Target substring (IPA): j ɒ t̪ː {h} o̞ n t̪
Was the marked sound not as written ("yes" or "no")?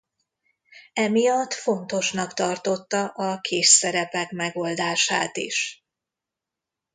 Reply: yes